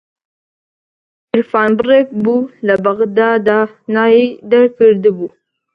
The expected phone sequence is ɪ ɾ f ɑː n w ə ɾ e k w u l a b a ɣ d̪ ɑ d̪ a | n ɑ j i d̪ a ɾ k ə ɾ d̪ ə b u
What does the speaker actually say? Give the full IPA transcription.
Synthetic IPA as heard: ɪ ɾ f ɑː n b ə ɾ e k b u l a b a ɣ d̪ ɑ d̪ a | n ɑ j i d̪ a ɾ k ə ɾ d̪ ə b u